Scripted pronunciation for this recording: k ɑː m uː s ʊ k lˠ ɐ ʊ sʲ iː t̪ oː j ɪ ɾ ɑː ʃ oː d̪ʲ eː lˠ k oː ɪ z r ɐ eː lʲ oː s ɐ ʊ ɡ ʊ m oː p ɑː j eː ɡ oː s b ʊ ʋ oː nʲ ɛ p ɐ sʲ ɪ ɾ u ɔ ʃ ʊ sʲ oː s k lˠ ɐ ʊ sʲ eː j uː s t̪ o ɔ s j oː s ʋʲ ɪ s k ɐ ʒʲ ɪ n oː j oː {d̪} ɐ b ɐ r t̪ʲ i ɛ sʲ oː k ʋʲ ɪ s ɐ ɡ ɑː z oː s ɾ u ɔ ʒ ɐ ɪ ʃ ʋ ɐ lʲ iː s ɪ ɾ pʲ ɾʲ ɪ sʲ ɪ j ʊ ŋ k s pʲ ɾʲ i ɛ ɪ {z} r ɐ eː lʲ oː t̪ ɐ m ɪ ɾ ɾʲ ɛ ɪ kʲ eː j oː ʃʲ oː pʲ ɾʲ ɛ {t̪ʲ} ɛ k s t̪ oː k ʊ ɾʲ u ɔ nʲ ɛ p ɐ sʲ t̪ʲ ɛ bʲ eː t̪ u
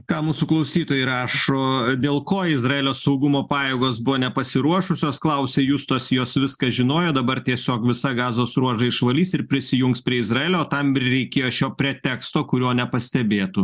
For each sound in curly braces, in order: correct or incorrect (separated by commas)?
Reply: correct, correct, correct